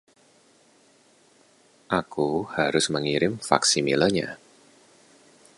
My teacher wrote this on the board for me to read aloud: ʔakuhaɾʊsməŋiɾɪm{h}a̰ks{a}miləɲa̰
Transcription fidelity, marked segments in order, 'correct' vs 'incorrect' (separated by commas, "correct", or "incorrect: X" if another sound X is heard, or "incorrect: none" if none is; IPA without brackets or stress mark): incorrect: f, incorrect: i